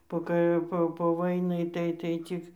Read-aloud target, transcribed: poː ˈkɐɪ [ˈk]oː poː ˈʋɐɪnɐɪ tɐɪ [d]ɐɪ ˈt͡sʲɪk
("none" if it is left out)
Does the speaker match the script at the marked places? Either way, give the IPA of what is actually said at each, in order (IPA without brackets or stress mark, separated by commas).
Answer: p, t